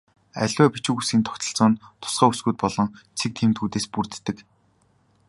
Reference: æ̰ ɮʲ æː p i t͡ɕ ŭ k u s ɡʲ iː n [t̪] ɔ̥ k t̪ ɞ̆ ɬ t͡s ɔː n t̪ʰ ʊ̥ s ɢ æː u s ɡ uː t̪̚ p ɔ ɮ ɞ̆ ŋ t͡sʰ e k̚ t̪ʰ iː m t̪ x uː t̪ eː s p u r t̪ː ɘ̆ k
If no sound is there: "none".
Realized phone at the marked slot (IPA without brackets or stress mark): t̪ʰ